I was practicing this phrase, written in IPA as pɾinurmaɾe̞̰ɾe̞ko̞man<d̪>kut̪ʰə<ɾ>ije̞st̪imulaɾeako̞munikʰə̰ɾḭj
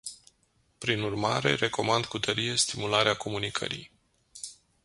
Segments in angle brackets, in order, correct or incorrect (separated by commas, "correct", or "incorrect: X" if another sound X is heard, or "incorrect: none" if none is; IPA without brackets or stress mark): correct, correct